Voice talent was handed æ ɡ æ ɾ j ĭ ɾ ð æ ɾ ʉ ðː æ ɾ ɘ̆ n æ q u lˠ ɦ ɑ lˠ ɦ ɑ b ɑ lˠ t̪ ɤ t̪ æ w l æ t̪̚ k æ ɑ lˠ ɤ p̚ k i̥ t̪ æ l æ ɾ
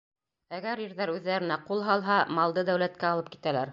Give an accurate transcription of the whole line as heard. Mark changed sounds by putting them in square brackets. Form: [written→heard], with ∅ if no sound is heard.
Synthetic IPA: æ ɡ æ ɾ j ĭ ɾ ð æ ɾ ʉ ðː æ ɾ ɘ̆ n æ q u lˠ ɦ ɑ lˠ ɦ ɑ [b→m] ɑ lˠ [t̪→d̪] ɤ [t̪→d̪] æ w l æ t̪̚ k æ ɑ lˠ ɤ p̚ k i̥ t̪ æ l æ ɾ

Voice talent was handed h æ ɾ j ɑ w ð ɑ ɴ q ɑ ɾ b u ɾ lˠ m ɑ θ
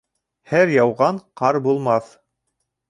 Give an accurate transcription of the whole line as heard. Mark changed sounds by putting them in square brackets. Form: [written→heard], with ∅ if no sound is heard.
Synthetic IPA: h æ ɾ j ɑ w [ð→ʁ] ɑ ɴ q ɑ ɾ b u [ɾ→∅] lˠ m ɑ θ

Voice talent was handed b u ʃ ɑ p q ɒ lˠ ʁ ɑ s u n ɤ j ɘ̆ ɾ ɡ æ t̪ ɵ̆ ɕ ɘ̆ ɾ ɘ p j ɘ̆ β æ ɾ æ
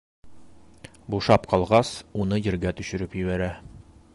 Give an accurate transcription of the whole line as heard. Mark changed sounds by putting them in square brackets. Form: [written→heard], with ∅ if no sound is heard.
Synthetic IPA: b u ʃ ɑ p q ɒ lˠ ʁ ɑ s u n ɤ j ɘ̆ ɾ ɡ æ t̪ ɵ̆ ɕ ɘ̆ ɾ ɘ p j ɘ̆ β æ ɾ æ

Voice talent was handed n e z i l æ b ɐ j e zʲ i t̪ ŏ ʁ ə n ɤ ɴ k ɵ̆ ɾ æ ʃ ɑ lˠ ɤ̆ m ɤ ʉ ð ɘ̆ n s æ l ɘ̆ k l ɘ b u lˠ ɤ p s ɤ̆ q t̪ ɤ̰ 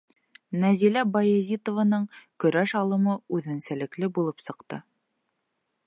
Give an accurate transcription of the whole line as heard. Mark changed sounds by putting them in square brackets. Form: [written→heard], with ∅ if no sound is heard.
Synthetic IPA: n [e→æ] z i l æ b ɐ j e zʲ i t̪ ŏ [ʁ→v] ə n ɤ ɴ k ɵ̆ ɾ æ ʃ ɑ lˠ ɤ̆ m ɤ ʉ ð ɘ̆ n s æ l ɘ̆ k l ɘ b u lˠ ɤ p s ɤ̆ q t̪ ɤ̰

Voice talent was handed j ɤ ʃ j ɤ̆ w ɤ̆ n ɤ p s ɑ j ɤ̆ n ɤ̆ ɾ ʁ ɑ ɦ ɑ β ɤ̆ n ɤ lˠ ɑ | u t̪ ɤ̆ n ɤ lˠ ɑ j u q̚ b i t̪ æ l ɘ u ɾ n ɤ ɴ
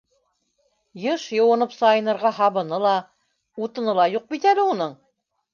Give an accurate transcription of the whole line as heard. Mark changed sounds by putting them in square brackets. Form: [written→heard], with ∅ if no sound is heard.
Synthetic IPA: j ɤ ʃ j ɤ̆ w ɤ̆ n ɤ p s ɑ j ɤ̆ n ɤ̆ ɾ ʁ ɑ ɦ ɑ β ɤ̆ n ɤ lˠ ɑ | u t̪ ɤ̆ n ɤ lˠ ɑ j u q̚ b i t̪ æ l ɘ u [ɾ→∅] n ɤ ɴ

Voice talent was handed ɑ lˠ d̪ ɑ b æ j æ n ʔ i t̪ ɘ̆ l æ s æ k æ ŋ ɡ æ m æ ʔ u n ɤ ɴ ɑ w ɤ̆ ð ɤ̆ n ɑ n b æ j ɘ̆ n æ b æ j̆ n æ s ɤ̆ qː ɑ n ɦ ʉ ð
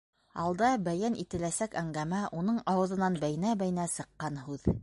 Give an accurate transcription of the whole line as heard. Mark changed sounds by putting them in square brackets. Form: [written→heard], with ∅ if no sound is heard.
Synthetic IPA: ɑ lˠ d̪ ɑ b æ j æ n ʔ i t̪ ɘ̆ l æ s æ k æ ŋ ɡ æ m æ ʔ u n ɤ ɴ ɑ w ɤ̆ ð ɤ̆ n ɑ n b æ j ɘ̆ n æ b æ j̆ n æ s ɤ̆ qː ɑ n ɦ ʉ ð

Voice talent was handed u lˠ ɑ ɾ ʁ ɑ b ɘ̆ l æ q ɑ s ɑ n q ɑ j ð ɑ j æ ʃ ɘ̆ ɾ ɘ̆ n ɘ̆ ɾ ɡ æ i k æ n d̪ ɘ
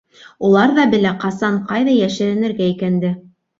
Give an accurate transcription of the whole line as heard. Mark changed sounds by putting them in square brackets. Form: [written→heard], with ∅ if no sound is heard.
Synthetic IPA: u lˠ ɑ ɾ [ʁ→ð] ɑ b ɘ̆ l æ q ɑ s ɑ [n→ɴ] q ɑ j ð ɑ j æ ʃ ɘ̆ ɾ ɘ̆ n ɘ̆ ɾ ɡ æ i k æ n d̪ ɘ

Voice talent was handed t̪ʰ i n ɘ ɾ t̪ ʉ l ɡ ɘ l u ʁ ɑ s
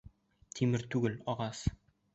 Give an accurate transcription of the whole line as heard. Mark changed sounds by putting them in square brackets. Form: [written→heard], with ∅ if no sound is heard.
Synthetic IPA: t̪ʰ i [n→m] ɘ ɾ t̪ ʉ [l→∅] ɡ ɘ l [u→ɒ] ʁ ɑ s

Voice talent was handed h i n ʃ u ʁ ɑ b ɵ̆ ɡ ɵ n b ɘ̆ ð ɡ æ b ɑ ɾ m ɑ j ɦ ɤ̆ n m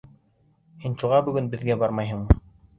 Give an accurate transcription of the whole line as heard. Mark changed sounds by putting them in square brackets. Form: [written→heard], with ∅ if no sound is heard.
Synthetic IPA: h i n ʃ u ʁ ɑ b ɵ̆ ɡ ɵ n b ɘ̆ ð ɡ æ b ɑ ɾ m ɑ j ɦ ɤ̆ [n→ɴ] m

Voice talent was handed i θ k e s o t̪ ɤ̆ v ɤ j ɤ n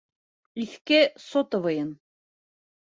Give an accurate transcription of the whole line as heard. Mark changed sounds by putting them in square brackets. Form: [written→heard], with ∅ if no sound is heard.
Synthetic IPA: i θ k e s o t̪ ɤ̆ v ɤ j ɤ n

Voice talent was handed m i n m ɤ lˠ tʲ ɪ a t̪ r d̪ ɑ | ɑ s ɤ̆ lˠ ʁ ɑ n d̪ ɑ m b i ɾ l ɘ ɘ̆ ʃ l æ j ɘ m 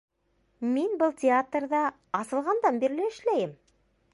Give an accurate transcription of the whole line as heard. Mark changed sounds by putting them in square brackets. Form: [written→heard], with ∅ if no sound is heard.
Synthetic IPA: m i n [m→b] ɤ lˠ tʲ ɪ a t̪ r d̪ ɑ | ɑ s ɤ̆ lˠ ʁ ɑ n d̪ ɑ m b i ɾ l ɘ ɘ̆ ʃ l æ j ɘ m

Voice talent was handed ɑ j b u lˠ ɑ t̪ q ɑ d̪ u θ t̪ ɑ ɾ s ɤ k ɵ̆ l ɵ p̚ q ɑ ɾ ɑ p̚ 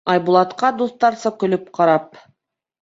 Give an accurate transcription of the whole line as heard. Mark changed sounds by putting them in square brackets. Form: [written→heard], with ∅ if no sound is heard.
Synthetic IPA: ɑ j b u lˠ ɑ t̪ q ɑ d̪ u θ t̪ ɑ ɾ s ɤ k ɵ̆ l ɵ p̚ q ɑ ɾ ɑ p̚

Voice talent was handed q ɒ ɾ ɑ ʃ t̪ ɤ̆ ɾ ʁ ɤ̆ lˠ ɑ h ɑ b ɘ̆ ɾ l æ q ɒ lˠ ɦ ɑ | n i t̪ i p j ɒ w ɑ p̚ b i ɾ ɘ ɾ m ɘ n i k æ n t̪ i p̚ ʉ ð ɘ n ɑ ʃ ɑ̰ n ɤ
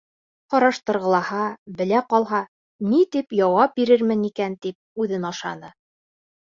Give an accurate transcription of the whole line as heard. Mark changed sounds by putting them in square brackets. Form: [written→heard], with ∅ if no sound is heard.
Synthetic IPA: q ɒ ɾ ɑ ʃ t̪ ɤ̆ ɾ ʁ ɤ̆ lˠ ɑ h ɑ b ɘ̆ [ɾ→∅] l æ q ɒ lˠ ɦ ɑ | n i t̪ i p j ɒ w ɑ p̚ b i ɾ ɘ ɾ m ɘ n i k æ n t̪ i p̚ ʉ ð ɘ n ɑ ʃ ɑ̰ n ɤ

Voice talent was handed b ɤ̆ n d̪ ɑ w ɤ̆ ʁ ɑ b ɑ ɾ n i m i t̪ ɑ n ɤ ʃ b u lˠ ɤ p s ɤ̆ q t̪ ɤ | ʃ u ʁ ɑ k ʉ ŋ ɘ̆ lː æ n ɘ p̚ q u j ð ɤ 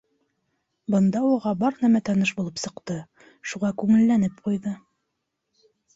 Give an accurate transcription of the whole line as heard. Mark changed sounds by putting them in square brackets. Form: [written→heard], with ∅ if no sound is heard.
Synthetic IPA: b ɤ̆ n d̪ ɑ w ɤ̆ ʁ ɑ b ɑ ɾ n [i→æ] m [i→æ] t̪ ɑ n ɤ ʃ b u lˠ ɤ p s ɤ̆ q t̪ ɤ | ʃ u ʁ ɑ k ʉ ŋ ɘ̆ lː æ n ɘ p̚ q u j ð ɤ

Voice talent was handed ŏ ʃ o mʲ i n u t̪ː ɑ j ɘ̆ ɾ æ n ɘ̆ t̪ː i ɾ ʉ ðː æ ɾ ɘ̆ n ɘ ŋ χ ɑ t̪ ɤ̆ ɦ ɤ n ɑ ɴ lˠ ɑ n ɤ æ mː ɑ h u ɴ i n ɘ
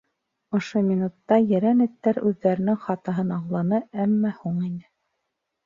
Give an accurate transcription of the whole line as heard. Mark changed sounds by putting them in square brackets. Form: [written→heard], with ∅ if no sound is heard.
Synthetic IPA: ŏ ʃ o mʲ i n u t̪ː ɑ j ɘ̆ ɾ æ n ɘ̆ t̪ː [i→æ] ɾ ʉ ðː æ ɾ ɘ̆ n ɘ ŋ χ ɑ t̪ ɤ̆ ɦ ɤ n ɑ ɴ lˠ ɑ n ɤ æ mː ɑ h u ɴ i n ɘ

